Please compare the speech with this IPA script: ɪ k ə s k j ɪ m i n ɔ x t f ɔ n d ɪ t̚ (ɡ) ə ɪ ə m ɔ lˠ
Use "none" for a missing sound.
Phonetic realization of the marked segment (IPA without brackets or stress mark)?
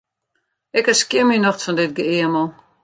ɡ